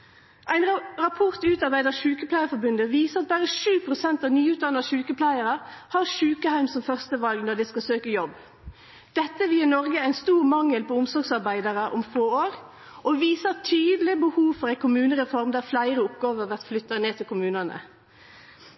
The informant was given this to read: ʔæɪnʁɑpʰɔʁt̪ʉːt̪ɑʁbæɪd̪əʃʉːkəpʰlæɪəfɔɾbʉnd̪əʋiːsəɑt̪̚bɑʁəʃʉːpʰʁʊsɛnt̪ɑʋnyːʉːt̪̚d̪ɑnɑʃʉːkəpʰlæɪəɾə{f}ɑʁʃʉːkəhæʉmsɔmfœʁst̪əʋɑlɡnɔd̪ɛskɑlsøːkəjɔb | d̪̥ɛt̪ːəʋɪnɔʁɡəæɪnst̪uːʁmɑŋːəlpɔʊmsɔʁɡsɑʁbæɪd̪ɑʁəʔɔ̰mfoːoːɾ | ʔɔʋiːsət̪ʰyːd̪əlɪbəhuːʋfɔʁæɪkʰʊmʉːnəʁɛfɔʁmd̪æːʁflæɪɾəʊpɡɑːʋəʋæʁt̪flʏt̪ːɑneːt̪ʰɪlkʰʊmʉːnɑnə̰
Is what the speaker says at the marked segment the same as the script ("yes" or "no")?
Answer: no